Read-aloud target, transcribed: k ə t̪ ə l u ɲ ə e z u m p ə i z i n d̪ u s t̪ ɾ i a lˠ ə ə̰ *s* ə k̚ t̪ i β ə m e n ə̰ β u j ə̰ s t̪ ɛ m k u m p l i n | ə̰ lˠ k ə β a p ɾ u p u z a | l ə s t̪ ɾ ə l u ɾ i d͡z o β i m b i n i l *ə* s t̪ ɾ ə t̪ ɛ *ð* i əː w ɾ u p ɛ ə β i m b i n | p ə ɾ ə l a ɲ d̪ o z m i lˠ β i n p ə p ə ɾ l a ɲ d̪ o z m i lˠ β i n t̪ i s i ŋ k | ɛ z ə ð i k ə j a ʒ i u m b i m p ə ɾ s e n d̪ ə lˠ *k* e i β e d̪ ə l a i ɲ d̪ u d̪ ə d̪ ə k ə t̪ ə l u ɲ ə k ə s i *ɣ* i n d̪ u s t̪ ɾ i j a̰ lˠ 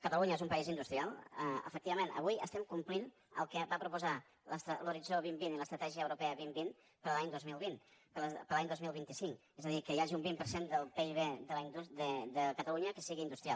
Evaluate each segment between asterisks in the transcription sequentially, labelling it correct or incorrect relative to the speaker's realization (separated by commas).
incorrect, correct, incorrect, incorrect, correct